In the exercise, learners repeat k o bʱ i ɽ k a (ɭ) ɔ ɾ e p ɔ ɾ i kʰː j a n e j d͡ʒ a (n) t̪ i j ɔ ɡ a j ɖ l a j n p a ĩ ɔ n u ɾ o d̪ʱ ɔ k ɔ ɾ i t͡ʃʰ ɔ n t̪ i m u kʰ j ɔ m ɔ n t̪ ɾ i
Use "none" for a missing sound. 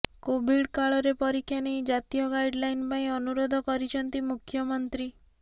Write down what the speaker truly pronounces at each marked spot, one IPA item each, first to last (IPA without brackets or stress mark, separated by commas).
ɭ, none